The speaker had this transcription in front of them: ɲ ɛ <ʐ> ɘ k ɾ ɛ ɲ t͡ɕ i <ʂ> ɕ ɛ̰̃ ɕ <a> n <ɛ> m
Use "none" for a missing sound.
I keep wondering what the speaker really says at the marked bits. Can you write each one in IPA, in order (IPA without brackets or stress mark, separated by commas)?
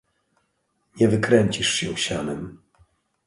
v, ʂ, a, ɛ